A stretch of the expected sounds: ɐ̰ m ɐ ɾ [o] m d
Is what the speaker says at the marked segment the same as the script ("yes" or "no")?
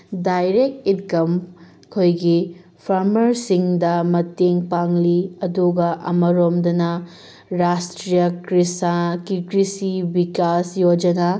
yes